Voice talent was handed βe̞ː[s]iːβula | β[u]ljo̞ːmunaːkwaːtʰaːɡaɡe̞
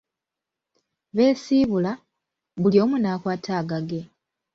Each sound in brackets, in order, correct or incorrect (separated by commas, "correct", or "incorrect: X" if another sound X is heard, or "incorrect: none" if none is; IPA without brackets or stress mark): correct, correct